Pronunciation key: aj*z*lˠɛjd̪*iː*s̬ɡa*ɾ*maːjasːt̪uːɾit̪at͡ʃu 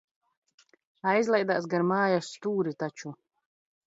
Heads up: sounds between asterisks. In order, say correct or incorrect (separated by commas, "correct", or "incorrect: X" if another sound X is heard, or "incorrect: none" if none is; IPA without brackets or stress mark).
correct, incorrect: aː, correct